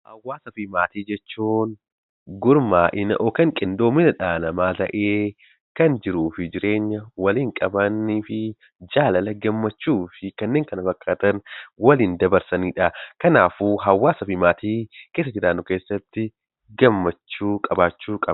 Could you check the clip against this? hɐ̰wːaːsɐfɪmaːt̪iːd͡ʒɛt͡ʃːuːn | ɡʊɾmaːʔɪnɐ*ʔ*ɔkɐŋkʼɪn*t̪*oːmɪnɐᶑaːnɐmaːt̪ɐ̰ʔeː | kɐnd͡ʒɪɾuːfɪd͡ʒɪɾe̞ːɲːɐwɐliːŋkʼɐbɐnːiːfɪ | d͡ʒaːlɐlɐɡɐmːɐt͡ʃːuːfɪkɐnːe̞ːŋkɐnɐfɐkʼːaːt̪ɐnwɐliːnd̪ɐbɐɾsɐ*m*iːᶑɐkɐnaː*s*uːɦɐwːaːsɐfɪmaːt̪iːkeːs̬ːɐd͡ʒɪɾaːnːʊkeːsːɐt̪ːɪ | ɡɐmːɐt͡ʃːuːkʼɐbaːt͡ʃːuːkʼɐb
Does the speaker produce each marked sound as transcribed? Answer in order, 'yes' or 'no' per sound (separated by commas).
yes, no, no, no